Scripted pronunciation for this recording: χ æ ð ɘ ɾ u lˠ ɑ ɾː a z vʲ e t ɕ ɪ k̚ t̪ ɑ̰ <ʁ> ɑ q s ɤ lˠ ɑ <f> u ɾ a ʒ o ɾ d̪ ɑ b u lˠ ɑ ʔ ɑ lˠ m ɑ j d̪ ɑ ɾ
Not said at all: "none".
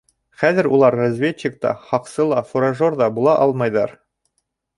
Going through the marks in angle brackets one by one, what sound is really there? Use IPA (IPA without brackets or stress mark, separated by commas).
χ, f